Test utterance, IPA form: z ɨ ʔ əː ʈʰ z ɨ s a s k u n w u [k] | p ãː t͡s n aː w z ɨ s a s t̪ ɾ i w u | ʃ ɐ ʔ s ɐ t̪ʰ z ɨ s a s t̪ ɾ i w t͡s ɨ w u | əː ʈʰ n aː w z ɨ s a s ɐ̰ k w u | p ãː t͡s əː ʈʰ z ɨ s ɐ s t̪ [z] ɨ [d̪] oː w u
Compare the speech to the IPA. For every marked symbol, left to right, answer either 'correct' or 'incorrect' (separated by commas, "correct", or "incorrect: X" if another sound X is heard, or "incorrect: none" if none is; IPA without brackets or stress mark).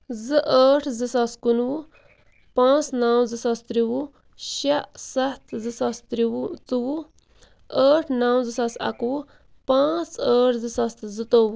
incorrect: none, correct, incorrect: t̪